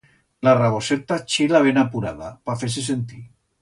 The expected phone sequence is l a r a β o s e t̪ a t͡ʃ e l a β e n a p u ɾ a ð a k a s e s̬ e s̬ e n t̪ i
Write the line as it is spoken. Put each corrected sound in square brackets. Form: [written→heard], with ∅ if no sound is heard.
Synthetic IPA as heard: l a r a β o s e t̪ a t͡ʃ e l a β e n a p u ɾ a ð a [k→p] a [s→f] e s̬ e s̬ e n t̪ i